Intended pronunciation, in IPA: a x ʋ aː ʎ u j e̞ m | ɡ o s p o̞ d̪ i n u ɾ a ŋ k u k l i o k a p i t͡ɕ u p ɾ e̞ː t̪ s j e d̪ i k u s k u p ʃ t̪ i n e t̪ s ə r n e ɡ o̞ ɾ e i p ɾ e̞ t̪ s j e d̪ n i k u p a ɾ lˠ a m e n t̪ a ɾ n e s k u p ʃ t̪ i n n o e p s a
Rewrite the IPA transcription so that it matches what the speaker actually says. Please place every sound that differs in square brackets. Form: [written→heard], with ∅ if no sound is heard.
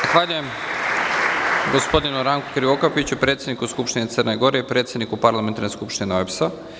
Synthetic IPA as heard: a x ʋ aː ʎ u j e̞ m | ɡ o s p o̞ d̪ i n u ɾ a ŋ k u k [l→ɾ] i o k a p i t͡ɕ u p ɾ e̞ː t̪ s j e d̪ i k u s k u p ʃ t̪ i n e t̪ s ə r n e ɡ o̞ ɾ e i p ɾ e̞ t̪ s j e d̪ n i k u p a ɾ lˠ a m e n t̪ a ɾ n e s k u p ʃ t̪ i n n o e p s a